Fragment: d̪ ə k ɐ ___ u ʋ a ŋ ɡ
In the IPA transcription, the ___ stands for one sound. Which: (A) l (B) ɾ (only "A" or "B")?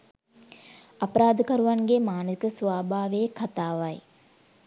B